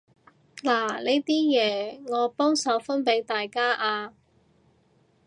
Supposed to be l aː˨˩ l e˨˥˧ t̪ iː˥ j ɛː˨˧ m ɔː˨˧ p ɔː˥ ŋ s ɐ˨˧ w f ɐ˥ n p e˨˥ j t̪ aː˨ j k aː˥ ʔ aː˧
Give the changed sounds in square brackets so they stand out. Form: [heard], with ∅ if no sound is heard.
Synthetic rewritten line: l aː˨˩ l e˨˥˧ t̪ iː˥ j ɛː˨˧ [ŋ] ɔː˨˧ p ɔː˥ ŋ s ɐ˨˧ w f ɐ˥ n p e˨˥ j t̪ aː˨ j k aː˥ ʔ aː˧